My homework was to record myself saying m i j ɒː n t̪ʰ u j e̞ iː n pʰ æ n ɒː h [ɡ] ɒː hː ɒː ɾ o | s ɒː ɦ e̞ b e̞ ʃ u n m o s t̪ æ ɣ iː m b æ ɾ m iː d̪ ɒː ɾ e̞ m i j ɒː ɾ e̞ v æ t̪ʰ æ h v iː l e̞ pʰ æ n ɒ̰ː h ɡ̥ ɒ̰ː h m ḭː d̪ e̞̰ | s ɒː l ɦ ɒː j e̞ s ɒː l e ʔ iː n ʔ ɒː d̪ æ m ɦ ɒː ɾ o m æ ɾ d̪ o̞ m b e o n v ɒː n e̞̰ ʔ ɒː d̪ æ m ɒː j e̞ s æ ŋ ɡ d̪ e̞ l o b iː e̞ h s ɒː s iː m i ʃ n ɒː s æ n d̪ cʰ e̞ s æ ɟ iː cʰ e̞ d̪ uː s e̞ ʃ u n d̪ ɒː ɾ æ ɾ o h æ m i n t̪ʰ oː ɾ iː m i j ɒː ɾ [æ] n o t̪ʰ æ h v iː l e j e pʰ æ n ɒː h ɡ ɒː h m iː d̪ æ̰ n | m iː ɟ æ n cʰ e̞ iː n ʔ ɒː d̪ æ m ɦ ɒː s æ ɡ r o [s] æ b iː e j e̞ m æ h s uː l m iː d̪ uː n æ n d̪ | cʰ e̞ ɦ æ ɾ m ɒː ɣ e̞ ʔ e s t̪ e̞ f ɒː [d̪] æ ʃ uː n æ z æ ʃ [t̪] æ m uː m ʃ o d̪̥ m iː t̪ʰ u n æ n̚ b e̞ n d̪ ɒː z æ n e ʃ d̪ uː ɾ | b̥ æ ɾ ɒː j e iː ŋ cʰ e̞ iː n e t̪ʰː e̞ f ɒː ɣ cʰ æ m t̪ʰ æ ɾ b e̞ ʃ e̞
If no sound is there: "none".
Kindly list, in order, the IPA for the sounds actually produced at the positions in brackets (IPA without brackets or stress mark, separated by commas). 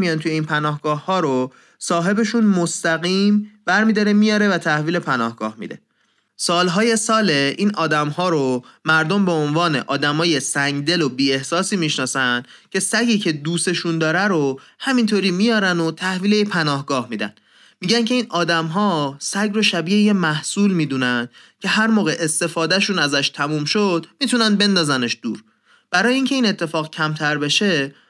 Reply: ɡ, æ, ʃ, d̪, t̪ʰ